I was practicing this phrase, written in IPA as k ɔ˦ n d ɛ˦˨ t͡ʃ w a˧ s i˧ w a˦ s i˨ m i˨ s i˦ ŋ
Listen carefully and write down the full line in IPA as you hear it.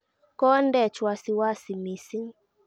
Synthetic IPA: k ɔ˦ n d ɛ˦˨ t͡ʃ w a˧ s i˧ w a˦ s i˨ m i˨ s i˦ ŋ